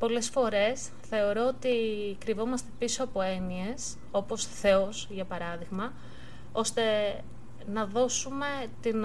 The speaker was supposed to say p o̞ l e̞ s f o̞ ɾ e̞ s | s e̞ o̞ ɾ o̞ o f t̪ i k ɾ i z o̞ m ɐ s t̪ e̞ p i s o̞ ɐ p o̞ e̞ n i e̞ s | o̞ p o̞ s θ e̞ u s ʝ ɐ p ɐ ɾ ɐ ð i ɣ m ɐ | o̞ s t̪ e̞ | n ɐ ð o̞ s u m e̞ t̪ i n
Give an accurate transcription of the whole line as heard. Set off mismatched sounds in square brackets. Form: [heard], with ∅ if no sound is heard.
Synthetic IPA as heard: p o̞ l e̞ s f o̞ ɾ e̞ s | [θ] e̞ o̞ ɾ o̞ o [∅] t̪ i k ɾ i [v] o̞ m ɐ s t̪ e̞ p i s o̞ ɐ p o̞ e̞ n i e̞ s | o̞ p o̞ s θ e̞ [o] s ʝ ɐ p ɐ ɾ ɐ ð i ɣ m ɐ | o̞ s t̪ e̞ | n ɐ ð o̞ s u m e̞ t̪ i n